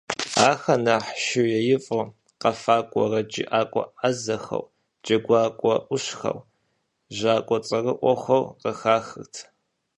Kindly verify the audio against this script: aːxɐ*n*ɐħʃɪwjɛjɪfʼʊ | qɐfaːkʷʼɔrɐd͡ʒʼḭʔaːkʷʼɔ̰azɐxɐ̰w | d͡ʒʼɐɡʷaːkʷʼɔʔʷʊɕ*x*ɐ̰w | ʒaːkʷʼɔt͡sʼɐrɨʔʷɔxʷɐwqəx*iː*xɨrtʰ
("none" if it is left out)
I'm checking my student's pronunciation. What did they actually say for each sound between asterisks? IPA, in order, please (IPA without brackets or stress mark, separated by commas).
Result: n, x, aː